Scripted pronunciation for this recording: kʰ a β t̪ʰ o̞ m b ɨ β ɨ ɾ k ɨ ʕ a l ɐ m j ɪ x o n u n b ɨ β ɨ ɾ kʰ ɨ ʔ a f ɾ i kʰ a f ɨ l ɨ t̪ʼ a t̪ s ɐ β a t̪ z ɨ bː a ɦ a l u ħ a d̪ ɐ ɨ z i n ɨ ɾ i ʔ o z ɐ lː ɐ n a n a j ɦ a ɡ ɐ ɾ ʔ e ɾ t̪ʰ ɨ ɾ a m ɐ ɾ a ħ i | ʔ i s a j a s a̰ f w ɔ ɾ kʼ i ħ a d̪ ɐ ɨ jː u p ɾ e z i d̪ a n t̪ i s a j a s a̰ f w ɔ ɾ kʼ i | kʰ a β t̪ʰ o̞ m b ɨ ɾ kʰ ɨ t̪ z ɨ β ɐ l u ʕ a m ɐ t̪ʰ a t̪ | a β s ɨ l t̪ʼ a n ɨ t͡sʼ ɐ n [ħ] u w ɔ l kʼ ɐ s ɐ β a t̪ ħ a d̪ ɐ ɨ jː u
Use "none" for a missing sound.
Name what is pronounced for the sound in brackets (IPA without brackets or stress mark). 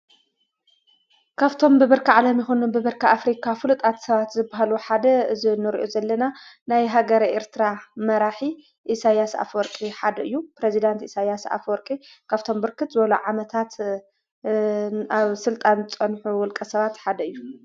ħ